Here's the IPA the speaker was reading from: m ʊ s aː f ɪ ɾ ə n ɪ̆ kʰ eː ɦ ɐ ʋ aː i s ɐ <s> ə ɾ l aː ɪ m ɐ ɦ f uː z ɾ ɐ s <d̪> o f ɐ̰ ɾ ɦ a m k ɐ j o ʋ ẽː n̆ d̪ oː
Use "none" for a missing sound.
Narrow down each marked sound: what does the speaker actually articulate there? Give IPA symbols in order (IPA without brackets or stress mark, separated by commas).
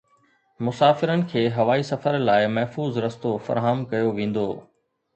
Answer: f, t̪